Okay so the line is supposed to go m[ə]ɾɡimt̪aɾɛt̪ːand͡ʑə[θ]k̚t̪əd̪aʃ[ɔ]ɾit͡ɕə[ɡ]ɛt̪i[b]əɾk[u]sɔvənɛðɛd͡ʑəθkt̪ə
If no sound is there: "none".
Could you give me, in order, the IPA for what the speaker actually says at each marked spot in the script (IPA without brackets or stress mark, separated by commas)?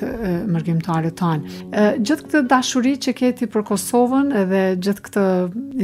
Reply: ə, θ, u, k, p, ɔ